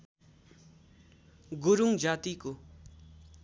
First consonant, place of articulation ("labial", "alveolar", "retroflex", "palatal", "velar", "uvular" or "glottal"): velar